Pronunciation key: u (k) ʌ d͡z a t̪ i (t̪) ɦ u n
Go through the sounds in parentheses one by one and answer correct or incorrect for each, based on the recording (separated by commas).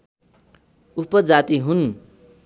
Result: incorrect, incorrect